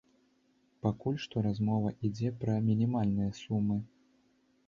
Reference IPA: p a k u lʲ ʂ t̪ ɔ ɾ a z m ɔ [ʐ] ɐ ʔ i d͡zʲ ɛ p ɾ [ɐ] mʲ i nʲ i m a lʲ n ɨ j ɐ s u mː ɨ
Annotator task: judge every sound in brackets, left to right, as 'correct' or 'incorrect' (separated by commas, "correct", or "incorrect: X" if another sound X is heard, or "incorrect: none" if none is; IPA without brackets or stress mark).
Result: incorrect: v, correct